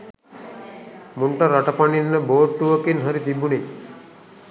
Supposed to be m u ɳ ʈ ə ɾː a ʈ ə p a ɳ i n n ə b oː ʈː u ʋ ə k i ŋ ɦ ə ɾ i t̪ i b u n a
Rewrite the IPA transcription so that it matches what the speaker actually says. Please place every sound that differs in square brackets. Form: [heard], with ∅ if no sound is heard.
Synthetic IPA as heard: m u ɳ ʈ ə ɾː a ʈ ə p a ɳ i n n ə b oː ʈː u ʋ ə k i [n] ɦ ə ɾ i t̪ i b u n [i]